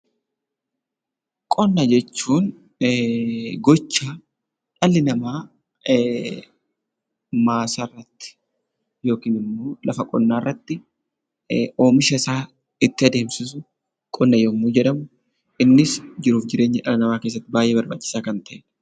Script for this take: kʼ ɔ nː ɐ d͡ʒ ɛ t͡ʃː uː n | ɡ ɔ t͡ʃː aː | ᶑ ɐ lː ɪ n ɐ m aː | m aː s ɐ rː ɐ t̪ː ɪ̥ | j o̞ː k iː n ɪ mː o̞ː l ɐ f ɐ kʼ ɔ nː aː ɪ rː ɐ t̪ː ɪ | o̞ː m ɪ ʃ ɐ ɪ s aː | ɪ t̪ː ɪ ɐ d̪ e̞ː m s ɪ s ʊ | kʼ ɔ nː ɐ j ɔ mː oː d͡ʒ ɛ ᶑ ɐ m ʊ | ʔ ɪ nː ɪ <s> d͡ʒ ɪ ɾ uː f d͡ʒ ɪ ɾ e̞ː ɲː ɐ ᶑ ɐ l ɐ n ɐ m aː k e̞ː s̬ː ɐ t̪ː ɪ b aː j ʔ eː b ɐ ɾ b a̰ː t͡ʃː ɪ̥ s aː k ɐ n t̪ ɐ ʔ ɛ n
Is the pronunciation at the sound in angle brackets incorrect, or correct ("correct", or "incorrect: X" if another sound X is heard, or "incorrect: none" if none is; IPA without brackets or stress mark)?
correct